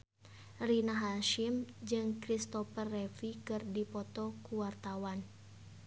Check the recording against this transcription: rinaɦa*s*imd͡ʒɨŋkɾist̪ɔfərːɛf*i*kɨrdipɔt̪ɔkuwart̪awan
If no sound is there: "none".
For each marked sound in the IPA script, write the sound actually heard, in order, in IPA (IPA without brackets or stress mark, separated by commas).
ʃ, i